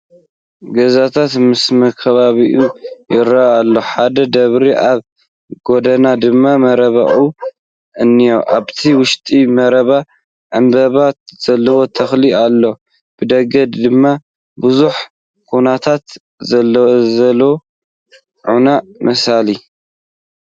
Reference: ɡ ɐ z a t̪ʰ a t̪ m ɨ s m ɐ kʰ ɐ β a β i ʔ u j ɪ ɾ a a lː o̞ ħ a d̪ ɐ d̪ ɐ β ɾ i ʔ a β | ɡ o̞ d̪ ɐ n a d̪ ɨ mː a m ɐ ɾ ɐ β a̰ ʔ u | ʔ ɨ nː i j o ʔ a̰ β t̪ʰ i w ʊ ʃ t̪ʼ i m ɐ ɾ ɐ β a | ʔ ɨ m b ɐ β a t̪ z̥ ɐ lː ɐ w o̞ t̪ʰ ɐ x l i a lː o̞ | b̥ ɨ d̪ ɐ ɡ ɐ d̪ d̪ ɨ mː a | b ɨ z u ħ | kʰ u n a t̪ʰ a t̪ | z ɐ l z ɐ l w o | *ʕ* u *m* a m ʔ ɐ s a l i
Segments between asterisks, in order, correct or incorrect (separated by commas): correct, incorrect